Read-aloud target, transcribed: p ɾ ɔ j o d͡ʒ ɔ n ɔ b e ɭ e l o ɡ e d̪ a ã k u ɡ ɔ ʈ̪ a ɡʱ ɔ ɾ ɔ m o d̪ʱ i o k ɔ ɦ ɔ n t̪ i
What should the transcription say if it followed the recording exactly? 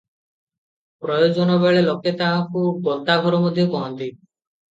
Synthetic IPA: p ɾ ɔ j o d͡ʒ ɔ n ɔ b e ɭ e l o k e t̪ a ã k u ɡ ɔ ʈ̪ a ɡʱ ɔ ɾ ɔ m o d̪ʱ j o k ɔ ɦ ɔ n t̪ i